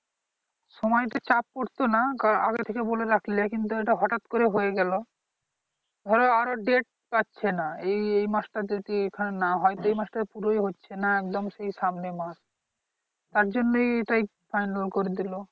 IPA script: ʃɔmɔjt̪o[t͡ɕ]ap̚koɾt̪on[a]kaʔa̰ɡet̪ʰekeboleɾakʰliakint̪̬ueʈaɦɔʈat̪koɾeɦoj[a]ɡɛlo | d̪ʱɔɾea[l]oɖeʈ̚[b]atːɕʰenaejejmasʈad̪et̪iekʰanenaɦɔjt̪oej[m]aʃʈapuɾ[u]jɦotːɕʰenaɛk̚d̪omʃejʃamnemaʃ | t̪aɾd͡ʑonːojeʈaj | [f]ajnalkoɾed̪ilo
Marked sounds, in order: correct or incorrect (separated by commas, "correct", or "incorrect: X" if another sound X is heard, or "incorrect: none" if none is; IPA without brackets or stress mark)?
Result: correct, correct, incorrect: e, incorrect: ɾ, incorrect: p, correct, incorrect: o, correct